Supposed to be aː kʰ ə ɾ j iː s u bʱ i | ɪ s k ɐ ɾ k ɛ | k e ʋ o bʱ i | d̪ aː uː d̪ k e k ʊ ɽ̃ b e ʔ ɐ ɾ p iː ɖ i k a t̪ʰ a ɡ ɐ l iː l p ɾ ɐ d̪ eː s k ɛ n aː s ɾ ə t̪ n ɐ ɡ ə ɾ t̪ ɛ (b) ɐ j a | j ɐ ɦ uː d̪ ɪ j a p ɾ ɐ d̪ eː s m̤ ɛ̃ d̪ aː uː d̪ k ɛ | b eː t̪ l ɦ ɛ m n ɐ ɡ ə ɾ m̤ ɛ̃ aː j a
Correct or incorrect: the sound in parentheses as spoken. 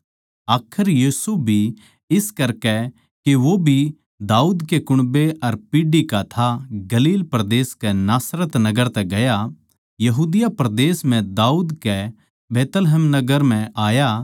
incorrect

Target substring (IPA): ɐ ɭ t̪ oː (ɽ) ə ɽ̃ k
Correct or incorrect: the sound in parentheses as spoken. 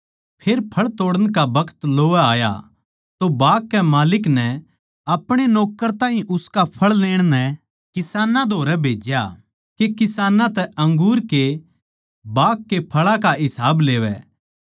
correct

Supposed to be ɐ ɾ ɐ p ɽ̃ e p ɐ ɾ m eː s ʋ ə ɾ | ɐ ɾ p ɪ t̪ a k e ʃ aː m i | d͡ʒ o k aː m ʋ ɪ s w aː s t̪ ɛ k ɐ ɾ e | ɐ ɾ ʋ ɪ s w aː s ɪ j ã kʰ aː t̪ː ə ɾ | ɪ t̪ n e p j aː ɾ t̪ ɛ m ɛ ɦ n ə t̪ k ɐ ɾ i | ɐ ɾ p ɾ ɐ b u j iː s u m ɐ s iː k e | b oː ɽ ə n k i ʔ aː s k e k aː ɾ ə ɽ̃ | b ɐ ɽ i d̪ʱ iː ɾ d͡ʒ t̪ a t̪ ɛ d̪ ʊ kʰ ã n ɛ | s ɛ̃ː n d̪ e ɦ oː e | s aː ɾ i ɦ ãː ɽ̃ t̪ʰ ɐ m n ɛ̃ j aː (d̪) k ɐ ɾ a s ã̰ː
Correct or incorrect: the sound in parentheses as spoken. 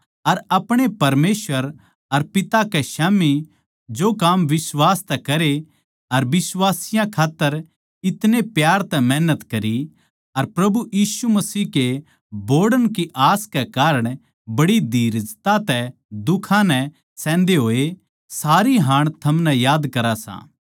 correct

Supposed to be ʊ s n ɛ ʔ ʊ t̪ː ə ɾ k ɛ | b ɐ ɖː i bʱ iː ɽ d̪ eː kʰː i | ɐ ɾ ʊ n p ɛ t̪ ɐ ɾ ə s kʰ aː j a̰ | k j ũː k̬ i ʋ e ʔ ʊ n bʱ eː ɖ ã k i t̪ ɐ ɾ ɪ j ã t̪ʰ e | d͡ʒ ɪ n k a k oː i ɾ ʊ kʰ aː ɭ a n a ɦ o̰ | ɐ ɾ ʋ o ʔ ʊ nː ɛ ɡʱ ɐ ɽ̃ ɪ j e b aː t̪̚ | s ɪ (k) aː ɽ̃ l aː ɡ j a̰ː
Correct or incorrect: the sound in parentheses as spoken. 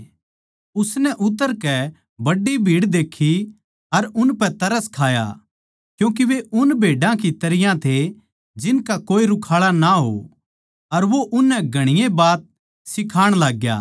incorrect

